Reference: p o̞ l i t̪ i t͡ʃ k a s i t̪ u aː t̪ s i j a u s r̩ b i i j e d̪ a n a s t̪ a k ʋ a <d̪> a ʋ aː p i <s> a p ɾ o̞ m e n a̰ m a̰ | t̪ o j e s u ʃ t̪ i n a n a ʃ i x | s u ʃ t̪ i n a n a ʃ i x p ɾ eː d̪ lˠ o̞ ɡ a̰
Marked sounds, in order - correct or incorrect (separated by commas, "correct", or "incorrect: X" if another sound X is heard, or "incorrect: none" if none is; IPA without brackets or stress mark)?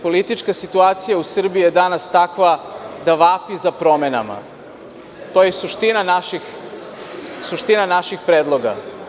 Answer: correct, incorrect: z